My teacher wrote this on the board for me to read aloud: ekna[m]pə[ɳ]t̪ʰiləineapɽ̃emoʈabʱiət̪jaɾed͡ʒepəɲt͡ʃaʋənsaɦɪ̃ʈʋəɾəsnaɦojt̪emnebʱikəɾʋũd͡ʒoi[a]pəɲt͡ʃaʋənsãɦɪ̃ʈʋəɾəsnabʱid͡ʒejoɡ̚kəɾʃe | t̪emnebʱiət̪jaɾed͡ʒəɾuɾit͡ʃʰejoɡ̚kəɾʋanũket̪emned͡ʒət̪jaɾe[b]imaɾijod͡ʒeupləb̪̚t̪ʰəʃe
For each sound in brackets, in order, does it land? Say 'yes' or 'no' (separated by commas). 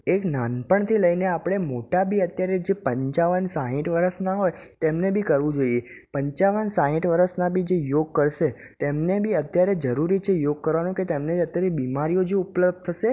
no, yes, no, yes